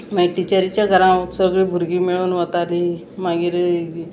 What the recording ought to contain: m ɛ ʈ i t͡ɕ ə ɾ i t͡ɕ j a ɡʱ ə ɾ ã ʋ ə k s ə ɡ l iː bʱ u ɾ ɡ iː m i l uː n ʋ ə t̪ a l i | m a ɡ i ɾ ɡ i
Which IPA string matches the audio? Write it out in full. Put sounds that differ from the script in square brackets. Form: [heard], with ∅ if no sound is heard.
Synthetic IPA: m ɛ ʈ i t͡ɕ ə ɾ i t͡ɕ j a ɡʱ ə ɾ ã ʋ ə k s ə ɡ [ɭ] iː bʱ u ɾ ɡ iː m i [ɭ] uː n ʋ ə t̪ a l i | m a ɡ i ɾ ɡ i